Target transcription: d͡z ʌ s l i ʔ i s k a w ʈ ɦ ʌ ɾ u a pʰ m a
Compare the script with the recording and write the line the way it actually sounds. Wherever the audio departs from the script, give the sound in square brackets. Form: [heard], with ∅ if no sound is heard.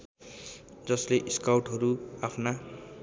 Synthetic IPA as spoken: d͡z ʌ s l [e] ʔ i s k a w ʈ ɦ ʌ ɾ u a pʰ [n] a